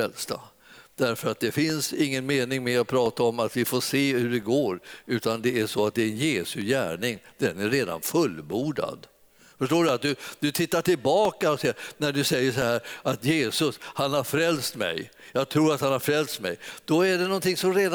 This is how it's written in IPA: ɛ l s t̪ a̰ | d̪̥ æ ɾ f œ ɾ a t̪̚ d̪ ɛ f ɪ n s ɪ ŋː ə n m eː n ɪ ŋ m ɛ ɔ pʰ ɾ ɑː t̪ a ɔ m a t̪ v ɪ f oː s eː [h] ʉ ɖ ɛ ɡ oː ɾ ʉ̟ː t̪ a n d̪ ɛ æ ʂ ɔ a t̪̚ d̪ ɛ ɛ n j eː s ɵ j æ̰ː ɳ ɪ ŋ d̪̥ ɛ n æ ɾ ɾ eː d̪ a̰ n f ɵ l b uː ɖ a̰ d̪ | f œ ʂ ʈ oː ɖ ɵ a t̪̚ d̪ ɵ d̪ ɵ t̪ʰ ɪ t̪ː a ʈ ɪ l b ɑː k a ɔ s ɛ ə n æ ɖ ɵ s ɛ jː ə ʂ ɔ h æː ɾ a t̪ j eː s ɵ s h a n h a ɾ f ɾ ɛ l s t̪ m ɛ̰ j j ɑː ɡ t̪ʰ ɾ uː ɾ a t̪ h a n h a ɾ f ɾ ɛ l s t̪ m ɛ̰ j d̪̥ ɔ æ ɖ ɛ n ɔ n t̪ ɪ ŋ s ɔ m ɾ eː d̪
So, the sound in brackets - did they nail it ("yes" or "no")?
yes